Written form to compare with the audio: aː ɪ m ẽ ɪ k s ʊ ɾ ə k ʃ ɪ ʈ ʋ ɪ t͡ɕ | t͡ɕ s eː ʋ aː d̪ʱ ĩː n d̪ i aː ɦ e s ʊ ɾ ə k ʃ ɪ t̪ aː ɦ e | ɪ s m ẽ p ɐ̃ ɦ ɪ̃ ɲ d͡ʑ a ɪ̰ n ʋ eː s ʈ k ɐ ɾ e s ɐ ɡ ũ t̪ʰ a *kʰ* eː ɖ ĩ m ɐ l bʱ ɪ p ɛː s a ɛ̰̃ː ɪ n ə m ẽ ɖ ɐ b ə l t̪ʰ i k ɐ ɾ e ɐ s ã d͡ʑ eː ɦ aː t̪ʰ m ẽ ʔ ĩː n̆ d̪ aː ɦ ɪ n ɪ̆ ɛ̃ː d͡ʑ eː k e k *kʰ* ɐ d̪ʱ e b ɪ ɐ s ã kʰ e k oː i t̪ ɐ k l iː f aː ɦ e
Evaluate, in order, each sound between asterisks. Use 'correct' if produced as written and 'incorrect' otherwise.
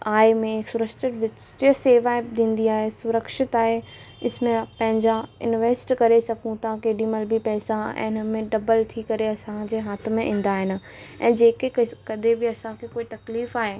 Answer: incorrect, incorrect

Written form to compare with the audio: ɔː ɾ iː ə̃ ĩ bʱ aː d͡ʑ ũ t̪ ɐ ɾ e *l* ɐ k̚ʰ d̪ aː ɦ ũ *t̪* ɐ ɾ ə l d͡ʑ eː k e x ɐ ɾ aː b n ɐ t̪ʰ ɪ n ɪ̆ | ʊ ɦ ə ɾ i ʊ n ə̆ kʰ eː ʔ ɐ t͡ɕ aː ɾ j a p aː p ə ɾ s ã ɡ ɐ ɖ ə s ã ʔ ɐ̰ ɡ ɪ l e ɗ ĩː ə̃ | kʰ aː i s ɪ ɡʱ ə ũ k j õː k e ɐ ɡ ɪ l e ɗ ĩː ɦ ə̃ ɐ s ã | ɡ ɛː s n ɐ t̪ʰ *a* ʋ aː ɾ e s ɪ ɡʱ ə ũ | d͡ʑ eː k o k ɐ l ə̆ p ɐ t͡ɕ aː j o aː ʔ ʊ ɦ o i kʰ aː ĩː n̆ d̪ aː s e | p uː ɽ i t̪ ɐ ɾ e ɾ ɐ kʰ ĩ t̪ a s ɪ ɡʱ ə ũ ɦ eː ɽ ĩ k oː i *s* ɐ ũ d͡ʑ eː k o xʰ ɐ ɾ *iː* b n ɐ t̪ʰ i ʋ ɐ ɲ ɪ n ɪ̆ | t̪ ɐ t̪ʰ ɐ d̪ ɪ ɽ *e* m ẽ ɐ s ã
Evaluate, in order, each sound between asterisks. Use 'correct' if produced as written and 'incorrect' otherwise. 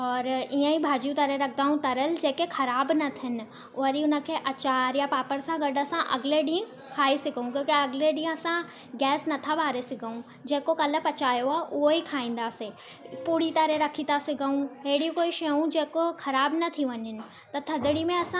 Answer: incorrect, correct, correct, incorrect, incorrect, incorrect

